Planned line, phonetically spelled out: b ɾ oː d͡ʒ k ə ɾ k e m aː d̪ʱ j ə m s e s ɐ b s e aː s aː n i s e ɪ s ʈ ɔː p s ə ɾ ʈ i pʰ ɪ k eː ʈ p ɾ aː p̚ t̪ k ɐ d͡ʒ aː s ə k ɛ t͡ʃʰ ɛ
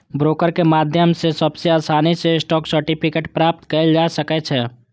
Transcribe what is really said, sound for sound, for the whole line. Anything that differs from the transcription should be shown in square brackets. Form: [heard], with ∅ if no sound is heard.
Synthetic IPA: b ɾ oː [∅] k ə ɾ k e m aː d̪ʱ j ə m s e s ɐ b s e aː s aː n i s e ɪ s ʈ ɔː [k] s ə ɾ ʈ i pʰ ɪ k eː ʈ p ɾ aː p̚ t̪ k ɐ d͡ʒ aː s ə k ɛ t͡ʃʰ ɛ